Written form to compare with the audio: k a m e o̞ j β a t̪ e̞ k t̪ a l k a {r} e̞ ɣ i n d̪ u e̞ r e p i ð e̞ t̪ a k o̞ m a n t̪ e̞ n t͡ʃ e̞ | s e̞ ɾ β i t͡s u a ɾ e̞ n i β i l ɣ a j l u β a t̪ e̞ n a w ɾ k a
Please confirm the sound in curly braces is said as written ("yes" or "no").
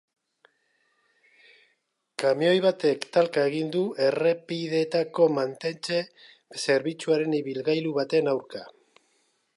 no